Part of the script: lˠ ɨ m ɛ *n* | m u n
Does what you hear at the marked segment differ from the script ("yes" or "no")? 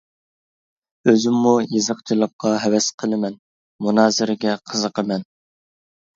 no